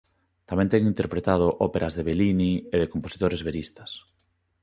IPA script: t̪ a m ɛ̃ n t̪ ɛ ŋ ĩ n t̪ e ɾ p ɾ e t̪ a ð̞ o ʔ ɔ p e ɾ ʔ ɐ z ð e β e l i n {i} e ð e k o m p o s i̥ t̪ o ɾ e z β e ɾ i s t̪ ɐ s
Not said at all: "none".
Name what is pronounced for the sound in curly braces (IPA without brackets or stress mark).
i